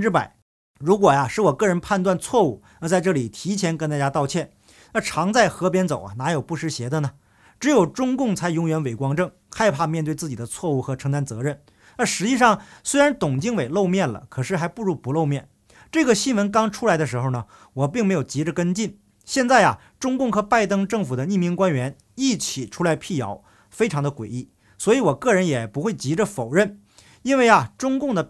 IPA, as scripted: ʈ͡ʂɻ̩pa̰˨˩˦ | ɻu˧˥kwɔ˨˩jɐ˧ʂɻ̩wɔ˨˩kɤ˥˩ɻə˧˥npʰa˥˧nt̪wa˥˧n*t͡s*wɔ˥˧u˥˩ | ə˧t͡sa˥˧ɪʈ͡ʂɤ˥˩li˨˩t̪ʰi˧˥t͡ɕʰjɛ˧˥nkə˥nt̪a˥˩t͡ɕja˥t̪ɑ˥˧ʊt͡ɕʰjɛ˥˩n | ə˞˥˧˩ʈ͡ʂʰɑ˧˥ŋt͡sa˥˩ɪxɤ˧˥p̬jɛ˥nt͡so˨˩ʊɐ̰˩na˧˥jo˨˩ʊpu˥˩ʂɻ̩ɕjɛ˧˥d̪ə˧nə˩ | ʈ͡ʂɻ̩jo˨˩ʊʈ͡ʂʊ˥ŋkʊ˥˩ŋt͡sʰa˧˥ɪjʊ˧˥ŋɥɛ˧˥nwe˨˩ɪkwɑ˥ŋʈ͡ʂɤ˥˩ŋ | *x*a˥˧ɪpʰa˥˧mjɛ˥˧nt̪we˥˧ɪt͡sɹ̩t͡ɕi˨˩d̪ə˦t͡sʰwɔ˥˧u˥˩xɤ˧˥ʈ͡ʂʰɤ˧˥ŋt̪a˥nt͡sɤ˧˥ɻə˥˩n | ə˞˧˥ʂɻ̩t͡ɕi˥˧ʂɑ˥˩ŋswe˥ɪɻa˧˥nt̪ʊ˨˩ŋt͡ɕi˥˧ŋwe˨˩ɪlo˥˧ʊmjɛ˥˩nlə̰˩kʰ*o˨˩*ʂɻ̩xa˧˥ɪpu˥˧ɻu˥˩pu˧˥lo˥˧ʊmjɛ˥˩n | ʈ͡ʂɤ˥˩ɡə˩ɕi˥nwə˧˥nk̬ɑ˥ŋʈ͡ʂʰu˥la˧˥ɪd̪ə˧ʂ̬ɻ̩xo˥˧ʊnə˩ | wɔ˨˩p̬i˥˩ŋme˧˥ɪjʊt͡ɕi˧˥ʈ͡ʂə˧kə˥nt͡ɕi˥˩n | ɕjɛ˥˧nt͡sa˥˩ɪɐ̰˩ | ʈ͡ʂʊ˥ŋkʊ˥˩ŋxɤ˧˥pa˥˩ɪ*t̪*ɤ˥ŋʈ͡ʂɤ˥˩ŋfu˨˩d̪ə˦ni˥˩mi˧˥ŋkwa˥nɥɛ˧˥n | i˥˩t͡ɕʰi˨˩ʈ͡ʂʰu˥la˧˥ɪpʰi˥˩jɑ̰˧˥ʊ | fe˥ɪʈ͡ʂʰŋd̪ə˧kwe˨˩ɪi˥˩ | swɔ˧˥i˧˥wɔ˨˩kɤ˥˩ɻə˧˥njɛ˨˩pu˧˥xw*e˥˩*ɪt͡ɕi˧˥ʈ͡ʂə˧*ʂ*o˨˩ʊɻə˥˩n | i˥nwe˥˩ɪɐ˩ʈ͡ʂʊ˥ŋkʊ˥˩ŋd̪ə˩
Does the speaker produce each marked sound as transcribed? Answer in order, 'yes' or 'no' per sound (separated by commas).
no, yes, no, yes, yes, no